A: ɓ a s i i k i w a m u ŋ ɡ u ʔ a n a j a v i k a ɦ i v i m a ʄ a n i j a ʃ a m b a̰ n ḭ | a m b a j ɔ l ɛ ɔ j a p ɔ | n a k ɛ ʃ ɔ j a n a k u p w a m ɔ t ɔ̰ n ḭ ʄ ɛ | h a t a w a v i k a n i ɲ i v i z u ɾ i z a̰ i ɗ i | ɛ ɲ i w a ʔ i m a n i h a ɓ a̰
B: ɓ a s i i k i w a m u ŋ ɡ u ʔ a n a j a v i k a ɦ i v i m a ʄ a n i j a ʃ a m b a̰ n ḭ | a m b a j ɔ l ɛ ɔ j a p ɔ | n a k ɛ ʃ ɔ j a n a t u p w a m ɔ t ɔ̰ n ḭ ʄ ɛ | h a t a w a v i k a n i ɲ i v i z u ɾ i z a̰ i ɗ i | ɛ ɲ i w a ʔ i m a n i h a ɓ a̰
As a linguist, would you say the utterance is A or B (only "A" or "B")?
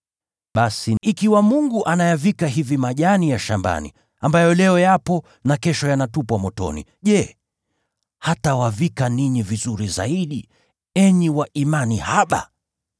B